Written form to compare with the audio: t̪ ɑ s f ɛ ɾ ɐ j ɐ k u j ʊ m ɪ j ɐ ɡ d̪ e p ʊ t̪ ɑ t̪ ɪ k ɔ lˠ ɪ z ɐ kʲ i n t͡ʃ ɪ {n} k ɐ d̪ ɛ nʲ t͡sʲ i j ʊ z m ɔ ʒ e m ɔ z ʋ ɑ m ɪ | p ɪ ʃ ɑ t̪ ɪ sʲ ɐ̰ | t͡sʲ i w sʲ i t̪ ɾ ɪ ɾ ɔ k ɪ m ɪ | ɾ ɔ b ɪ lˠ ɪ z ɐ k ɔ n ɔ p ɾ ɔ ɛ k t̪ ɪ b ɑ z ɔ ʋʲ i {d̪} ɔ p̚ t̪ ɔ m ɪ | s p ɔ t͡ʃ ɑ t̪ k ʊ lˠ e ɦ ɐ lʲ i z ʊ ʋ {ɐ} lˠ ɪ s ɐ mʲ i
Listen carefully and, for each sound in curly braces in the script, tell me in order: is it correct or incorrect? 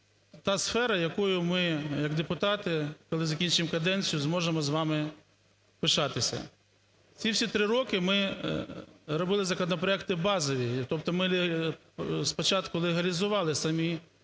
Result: incorrect: m, incorrect: t̪, incorrect: ɑ

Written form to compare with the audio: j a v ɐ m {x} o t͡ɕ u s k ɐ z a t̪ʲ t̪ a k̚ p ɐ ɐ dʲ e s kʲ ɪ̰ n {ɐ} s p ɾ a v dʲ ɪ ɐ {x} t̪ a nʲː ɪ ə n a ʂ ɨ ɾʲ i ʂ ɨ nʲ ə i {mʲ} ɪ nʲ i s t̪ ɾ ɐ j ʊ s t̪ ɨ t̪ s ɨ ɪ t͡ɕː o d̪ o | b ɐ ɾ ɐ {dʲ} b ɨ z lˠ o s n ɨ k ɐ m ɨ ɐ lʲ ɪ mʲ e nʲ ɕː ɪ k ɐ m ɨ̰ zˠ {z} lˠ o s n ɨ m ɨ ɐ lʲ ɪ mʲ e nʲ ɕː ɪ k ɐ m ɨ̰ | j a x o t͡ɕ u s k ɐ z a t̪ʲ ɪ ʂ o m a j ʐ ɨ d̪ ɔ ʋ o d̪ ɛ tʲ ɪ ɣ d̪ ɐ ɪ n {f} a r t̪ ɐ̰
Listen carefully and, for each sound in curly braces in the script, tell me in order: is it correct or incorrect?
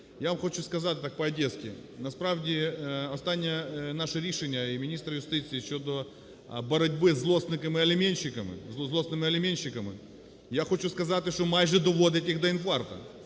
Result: correct, correct, incorrect: s, correct, correct, correct, correct

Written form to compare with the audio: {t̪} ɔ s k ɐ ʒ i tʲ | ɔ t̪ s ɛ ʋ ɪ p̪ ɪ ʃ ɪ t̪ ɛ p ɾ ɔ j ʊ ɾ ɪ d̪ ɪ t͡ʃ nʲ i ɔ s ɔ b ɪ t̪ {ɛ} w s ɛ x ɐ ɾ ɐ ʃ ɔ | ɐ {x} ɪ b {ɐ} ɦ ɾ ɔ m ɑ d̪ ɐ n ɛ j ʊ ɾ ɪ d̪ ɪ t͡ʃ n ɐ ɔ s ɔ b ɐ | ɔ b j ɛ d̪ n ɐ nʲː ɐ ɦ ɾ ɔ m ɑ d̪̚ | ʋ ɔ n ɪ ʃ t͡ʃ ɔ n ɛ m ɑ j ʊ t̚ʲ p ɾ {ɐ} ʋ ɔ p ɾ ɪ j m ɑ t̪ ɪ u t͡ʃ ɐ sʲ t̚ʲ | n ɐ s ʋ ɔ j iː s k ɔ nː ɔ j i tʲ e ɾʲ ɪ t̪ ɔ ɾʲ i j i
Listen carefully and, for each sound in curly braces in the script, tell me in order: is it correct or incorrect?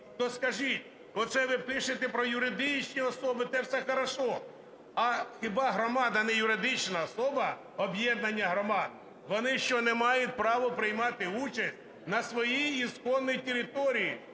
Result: correct, correct, correct, incorrect: ɑ, incorrect: ɑ

